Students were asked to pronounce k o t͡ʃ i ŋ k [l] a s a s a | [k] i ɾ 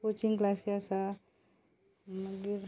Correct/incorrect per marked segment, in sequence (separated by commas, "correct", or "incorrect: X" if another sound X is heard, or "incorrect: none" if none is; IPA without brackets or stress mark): correct, incorrect: ɡ